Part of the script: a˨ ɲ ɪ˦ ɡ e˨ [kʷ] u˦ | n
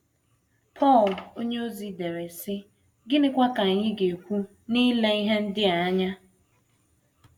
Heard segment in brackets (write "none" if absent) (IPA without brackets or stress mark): kʷ